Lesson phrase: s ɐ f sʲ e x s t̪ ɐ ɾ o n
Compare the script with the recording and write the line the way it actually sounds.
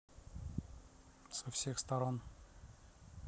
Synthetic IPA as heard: s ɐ f sʲ e x s t̪ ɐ ɾ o n

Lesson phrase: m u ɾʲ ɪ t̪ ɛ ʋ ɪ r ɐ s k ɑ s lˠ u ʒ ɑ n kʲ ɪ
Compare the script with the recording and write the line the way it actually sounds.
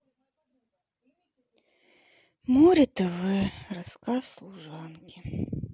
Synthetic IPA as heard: m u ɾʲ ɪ t̪ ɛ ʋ ɪ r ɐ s k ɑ s lˠ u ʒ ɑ n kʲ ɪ

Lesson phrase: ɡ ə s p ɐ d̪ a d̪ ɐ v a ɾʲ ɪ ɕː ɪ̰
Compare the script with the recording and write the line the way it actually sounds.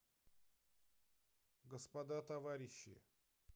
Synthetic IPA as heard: ɡ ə s p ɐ d̪ a t̪ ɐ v a ɾʲ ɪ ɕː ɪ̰

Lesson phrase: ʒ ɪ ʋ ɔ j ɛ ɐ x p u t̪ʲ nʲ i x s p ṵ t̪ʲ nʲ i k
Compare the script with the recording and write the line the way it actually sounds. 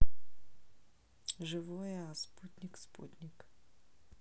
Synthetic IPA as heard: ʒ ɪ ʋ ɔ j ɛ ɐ s p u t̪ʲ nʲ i k s p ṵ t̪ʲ nʲ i k

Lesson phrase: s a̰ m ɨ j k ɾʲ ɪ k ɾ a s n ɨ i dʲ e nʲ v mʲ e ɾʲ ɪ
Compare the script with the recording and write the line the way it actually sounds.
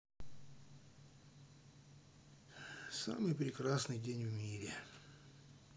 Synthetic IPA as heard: s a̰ m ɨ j p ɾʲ ɪ k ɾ a s n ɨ j dʲ e nʲ v mʲ i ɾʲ ɪ

